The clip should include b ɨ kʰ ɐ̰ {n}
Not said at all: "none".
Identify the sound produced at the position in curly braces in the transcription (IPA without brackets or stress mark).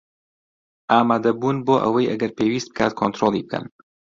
n